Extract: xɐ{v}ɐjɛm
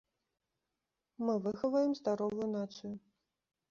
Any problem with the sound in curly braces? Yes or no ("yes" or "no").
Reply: no